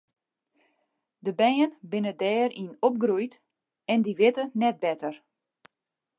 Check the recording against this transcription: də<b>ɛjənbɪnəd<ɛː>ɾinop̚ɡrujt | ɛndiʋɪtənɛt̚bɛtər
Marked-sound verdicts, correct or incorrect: correct, correct

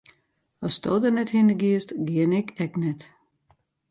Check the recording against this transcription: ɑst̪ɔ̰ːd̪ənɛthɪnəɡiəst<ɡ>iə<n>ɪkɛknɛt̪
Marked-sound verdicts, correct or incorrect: correct, correct

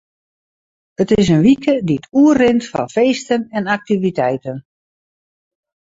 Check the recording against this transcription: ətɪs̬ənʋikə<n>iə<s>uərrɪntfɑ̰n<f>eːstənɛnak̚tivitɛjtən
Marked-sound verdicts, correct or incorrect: incorrect: d, incorrect: t, correct

